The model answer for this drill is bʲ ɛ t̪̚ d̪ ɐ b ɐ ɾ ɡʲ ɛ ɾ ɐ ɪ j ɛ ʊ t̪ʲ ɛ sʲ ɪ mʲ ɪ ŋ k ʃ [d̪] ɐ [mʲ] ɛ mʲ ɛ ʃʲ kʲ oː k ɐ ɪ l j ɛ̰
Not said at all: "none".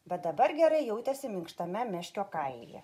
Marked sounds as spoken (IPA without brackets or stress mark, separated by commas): t̪, mʲ